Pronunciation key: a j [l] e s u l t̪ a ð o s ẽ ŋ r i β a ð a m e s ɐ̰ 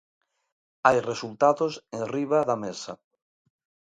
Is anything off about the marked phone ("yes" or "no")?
yes